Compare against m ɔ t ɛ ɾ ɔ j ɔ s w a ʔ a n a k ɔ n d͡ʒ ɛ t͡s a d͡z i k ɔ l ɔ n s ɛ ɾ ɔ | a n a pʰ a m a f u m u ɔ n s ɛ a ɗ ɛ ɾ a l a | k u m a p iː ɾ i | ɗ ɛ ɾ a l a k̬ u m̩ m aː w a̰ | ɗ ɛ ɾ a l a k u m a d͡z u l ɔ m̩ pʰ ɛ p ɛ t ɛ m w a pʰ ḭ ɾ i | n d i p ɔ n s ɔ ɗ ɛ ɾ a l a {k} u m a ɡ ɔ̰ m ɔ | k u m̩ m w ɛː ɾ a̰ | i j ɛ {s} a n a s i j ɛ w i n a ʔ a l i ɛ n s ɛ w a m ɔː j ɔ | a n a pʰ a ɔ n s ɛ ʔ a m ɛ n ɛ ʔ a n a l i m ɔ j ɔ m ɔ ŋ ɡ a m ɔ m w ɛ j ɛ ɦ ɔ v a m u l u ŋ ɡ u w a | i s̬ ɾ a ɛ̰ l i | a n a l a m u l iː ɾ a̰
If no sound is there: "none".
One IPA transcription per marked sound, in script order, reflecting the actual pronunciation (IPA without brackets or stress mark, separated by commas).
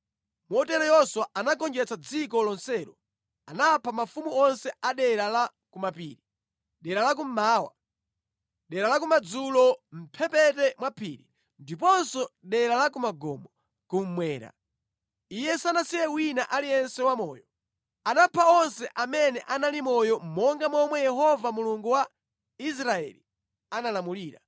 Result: k, s